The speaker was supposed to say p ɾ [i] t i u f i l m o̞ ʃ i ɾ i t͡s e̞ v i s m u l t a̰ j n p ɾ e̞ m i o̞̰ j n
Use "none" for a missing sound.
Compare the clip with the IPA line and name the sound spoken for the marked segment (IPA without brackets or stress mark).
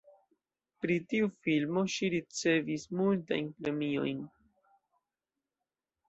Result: i